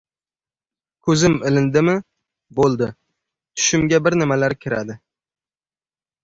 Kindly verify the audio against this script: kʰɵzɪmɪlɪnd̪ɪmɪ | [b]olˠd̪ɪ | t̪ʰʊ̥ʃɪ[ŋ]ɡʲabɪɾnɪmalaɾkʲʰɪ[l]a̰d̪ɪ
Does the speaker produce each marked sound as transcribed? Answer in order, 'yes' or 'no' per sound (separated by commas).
yes, no, no